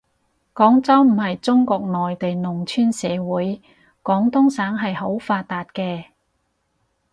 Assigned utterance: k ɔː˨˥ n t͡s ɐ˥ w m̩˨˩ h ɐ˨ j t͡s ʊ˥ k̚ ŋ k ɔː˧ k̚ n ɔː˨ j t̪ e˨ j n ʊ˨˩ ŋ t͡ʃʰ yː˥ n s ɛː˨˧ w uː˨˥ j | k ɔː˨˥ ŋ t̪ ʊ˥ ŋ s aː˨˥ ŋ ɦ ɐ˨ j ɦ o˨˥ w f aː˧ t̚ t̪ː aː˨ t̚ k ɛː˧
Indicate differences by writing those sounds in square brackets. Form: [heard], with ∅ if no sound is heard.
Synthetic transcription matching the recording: k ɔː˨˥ [ŋ] t͡s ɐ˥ w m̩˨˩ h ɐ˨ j t͡s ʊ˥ [∅] ŋ k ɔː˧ k̚ n ɔː˨ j t̪ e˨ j n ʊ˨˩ ŋ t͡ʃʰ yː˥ n s ɛː˨˧ w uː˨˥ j | k ɔː˨˥ ŋ t̪ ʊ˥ ŋ s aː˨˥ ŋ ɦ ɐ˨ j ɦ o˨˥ w f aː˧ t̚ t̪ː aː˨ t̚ k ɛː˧